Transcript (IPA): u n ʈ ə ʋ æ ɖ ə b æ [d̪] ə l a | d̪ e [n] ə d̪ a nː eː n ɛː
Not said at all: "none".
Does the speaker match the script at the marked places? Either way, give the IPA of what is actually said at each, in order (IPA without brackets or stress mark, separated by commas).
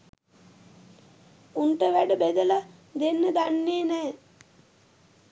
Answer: d̪, nː